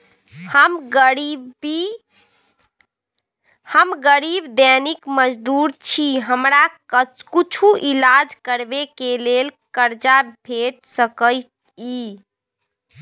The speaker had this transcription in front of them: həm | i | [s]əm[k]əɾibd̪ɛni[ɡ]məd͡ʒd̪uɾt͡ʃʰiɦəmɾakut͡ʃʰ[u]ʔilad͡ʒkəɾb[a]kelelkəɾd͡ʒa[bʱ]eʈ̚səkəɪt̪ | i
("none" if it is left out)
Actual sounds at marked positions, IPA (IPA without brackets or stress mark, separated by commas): h, ɡ, k, u, e, bʱ